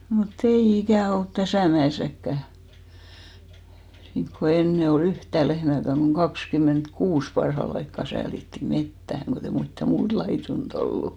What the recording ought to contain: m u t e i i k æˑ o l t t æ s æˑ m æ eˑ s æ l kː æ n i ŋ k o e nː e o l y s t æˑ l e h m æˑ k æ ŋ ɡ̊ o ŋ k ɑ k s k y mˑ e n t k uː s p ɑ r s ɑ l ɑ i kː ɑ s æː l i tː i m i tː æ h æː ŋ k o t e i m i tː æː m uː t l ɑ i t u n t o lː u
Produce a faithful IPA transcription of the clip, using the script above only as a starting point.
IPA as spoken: m u t e i i k æˑ o l t t æ s æˑ m æ eˑ s æ kː æ n i ŋ k o e nː e o l y h t æˑ l e h m æˑ k æ ŋ ɡ̊ o ŋ k ɑ k s k y mˑ e n t k uː s p ɑ r h ɑ l ɑ i kː ɑ s æː l i tː i m e tː æ h æ ŋ k o t e i m i tː æ m uː t l ɑ i t u n t o lː u

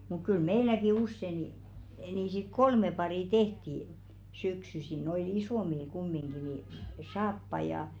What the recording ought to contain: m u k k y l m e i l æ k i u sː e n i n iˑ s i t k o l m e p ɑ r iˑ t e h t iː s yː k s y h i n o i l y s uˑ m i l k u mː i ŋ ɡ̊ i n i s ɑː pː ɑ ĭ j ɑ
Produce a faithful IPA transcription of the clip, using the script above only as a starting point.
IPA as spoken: m u k k y l m e i l æ k i u sː e n i n iˑ s i t k o l m e p ɑ r iˑ t e h t i s y k s y s i n o i l i s oˑ m i l k u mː i ŋ ɡ̊ i n i s ɑː pː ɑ ĭ j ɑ

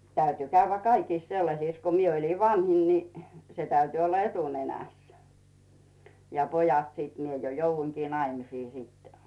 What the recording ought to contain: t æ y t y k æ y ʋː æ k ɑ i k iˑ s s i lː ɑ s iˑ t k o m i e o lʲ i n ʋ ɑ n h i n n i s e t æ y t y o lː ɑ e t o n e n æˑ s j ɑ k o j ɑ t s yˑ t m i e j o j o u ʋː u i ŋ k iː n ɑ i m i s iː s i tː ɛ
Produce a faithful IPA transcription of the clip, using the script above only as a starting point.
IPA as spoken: t æ y t y k æ y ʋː æ k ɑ i k iˑ s s e lː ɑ s iˑ s k o m i e o lʲ i n ʋ ɑ n h i n n i s e t æ y t y o lː ɑ e t u n e n æˑ s j ɑ p o j ɑ t s iˑ t m i e j o j o u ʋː u i ŋ k iː n ɑ i m i s iː s i tː ɛ

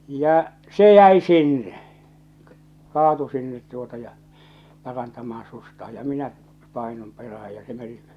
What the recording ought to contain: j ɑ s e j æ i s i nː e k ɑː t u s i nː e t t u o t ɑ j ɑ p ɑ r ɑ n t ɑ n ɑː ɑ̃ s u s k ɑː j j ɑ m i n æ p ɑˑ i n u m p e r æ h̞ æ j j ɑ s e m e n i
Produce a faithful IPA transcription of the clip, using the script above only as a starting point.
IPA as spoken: j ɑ s e j æ i s i nː e k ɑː t u s i nː e t t u o t ɑ j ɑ p ɑ r ɑ n t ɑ m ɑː ɑ̃ s u s t ɑː j j ɑ m i n æ p ɑˑ i n u m p e r æ h̞ æ j j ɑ s e m e n i

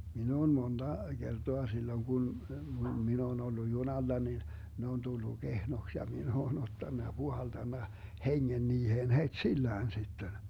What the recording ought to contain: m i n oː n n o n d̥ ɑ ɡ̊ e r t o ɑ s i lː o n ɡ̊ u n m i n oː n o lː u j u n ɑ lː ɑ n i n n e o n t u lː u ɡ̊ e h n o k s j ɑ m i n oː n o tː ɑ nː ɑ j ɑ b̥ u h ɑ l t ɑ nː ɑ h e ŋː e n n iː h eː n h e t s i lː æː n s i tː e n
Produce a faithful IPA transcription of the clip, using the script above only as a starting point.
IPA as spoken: m i n oː n m o n d̥ ɑ ɡ̊ e r t o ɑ s i lː o ŋ ɡ̊ u n m i n oː n o lː u j u n ɑ lː ɑ n i n n e o n t u lː u ɡ̊ e h n o k s j ɑ m i n oː n o tː ɑ nː ɑ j ɑ b̥ u h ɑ l t ɑ nː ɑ h e ŋː e n n iː h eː n h e t s i lː æː n s i tː e n

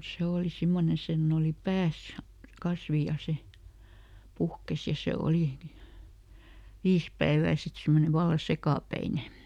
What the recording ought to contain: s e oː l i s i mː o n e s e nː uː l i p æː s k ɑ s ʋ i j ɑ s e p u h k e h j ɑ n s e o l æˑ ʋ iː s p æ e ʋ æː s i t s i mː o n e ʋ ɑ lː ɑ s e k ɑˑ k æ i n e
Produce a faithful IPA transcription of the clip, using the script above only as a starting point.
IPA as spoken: s e oː l i s i mː o n e s e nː oː l i p æː s k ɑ s ʋ i j ɑ s e p u h k e s j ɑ s e o l iˑ ʋ iː s p æ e ʋ æː s i t s i mː o n e ʋ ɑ lː ɑ s e k ɑˑ p æ i n e

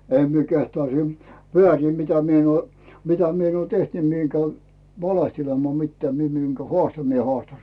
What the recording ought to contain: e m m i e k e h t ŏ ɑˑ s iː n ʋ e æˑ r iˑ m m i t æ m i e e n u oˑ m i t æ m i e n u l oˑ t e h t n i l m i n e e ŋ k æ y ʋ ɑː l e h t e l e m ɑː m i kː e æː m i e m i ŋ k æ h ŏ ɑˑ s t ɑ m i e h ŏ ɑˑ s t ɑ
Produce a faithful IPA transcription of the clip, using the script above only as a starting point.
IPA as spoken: e m m i e k e h t ŏ ɑˑ s iː m ʋ e æˑ r iˑ m m i t æ m i e e n u oˑ m i t æ m i e n u oˑ t e h t n i m i e e ŋ k æ y ʋ ɑ l e h t e l e m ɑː m i tː e æː m i e m i ŋ k æ h ŏ ɑˑ s t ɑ m i e h ŏ ɑˑ s t ɑ

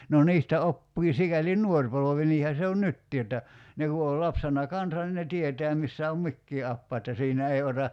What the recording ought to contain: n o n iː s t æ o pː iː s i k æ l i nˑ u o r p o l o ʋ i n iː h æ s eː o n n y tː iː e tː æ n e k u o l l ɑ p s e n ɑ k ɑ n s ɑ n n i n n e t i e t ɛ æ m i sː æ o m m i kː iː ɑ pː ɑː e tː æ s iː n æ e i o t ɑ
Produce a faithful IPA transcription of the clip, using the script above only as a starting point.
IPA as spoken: n o n iː s t æ o pː iː s i k æ l i nˑ u o r p o l o ʋ i n iː h æ s e o n n y tː iː e tː æ n e k u o l l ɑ p s e n ɑ k ɑ n s ɑ n n i n n e t i e t ɛ æ m i sː æ o m m i kː iː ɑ pː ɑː e tː æ s iː n æ e i o t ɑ

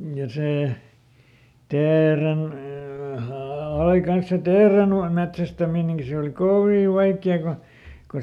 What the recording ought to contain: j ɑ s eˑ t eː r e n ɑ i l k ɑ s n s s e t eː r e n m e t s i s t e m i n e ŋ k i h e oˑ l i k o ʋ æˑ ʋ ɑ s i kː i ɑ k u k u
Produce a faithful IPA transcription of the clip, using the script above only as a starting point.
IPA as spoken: j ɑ s eˑ t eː r e n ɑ i k ɑ n s s e t eː r e n m e t s æ s t æ m i n e ŋ k i s e oˑ l i k o ʋ iˑ ʋ ɑ i kː i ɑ k u k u

